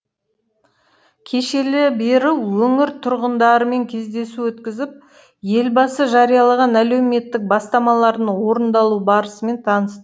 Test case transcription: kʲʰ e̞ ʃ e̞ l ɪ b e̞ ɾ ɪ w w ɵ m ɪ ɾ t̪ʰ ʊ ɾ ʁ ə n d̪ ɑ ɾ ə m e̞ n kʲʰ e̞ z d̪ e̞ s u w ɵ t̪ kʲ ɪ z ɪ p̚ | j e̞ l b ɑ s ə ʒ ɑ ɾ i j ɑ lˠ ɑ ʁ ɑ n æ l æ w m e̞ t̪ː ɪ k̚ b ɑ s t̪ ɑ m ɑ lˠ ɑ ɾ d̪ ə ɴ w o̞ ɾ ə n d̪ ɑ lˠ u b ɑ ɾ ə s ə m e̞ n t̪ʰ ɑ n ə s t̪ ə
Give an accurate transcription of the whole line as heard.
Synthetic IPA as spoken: kʲʰ e̞ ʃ e̞ l ɪ b e̞ ɾ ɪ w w ɵ ŋ ɪ ɾ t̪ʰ ʊ ɾ ʁ ə n d̪ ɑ ɾ ə m e̞ ŋ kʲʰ e̞ z d̪ e̞ s u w ɵ t̪ kʲ ɪ z ɪ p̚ | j e̞ l b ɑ s ə ʒ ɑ ɾ i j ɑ lˠ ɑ ʁ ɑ n æ l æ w m e̞ t̪ː ɪ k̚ b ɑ s t̪ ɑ m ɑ lˠ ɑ ɾ d̪ ə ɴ w o̞ ɾ ə n d̪ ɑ lˠ u b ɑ ɾ ə s ə m e̞ n t̪ʰ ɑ n ə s t̪ ə